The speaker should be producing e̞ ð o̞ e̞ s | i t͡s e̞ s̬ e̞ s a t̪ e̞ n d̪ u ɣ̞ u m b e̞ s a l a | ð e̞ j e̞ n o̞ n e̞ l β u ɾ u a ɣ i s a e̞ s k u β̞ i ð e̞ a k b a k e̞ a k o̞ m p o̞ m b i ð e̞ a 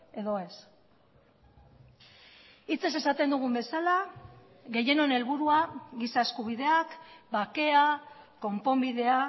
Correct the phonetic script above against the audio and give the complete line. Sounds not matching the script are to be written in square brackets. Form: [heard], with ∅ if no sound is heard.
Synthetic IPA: e̞ ð o̞ e̞ s | i t͡s e̞ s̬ e̞ s a t̪ e̞ n d̪ u ɣ̞ u m b e̞ s a l a | [ɣ] e̞ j e̞ n o̞ n e̞ l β u ɾ u a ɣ i s a e̞ s k u β̞ i ð e̞ a k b a k e̞ a k o̞ m p o̞ m b i ð e̞ a